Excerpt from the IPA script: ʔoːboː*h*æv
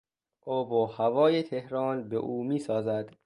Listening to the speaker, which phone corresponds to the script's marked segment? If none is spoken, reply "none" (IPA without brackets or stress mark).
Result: h